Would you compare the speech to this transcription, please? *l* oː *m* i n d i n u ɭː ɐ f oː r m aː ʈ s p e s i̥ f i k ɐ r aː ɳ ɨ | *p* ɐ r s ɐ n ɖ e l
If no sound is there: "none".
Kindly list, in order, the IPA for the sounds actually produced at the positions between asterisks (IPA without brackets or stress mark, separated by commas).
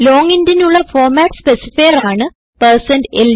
l, ŋ, p